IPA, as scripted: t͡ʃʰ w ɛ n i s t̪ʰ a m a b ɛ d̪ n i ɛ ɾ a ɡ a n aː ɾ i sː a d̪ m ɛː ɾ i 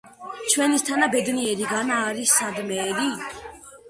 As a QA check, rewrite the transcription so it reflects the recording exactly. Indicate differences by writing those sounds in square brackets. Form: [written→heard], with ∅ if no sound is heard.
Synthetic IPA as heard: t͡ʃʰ w ɛ n i s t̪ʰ a [m→n] a b ɛ d̪ n i ɛ ɾ [a→i] ɡ a n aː ɾ i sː a d̪ m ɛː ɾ i